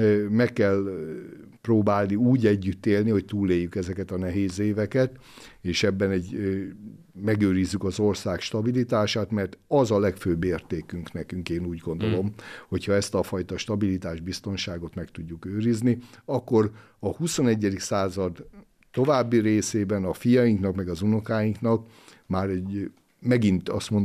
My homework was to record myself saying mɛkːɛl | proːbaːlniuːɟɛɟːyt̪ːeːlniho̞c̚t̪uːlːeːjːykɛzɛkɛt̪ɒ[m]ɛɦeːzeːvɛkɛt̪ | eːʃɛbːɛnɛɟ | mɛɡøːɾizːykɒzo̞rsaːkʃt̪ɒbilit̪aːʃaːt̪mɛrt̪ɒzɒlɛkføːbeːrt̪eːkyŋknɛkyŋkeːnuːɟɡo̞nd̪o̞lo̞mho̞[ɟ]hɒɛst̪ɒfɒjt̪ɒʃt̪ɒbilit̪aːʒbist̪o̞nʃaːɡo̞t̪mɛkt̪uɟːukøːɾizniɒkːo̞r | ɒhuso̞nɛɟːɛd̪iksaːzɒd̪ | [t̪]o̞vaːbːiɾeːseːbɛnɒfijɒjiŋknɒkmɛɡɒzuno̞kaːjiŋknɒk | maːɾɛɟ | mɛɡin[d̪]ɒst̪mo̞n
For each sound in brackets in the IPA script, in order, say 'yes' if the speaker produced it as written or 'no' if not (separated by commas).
no, no, yes, no